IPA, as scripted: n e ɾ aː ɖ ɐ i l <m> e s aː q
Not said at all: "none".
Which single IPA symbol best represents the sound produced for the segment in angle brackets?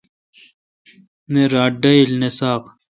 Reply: n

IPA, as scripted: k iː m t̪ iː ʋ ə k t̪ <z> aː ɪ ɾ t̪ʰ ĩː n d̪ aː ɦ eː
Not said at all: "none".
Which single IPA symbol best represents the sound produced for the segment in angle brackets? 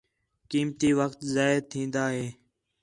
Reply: z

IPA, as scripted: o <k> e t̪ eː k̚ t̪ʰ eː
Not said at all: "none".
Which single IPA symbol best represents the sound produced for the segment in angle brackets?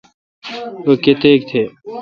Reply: k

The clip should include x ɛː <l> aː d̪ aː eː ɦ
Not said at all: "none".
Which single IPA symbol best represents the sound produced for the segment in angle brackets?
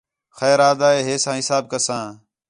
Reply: ɾ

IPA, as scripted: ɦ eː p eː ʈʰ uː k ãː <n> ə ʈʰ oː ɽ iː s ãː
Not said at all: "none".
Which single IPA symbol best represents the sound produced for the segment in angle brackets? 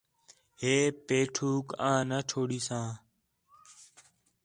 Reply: n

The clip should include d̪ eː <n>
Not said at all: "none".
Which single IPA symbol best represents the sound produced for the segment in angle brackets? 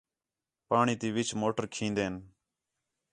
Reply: n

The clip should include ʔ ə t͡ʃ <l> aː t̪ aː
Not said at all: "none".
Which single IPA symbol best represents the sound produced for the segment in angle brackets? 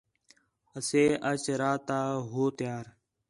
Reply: ɾ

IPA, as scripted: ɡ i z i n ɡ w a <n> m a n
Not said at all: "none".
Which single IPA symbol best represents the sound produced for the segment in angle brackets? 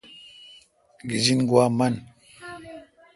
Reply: none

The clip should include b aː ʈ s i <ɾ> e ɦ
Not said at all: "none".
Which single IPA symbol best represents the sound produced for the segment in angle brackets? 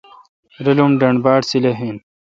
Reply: l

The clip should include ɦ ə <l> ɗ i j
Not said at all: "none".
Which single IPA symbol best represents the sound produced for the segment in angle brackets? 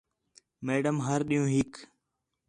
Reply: ɾ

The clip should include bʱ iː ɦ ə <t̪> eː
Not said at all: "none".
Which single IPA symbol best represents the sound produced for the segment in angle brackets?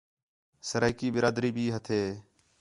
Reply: t̪ʰ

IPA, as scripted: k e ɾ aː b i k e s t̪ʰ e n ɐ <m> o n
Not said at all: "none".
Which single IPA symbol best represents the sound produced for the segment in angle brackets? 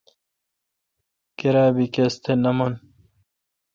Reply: m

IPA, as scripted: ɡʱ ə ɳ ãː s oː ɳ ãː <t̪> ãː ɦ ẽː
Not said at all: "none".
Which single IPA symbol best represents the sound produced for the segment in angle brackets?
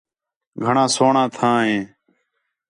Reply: t̪ʰ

